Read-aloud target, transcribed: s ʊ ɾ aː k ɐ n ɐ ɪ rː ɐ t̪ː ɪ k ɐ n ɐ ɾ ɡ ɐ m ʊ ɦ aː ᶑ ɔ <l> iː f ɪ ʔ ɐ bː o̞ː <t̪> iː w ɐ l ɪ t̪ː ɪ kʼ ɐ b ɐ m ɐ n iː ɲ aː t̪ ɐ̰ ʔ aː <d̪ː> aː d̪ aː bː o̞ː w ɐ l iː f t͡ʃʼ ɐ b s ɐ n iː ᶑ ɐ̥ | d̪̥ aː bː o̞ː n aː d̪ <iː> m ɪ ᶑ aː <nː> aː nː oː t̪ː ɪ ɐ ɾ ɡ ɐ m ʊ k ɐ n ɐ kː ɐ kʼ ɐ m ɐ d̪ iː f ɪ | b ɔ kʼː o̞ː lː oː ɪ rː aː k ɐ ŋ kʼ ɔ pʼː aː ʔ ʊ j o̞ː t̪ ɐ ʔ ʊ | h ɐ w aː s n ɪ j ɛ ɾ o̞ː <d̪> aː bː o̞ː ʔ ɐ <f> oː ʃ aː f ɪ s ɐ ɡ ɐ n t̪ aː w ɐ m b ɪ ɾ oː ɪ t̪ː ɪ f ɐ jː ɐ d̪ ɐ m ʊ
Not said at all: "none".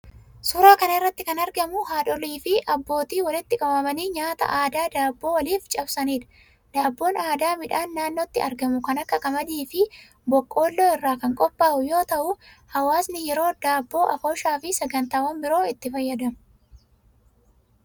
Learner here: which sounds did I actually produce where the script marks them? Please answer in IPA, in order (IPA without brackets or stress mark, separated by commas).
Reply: l, t̪, d̪, aː, nː, d̪, f